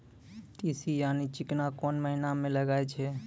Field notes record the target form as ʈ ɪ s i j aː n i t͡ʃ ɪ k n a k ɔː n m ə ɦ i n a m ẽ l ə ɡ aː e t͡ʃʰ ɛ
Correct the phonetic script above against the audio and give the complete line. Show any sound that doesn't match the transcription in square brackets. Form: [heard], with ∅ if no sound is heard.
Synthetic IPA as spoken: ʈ [i] s i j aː n i t͡ʃ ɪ k n a k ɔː n m ə ɦ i n a m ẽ l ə ɡ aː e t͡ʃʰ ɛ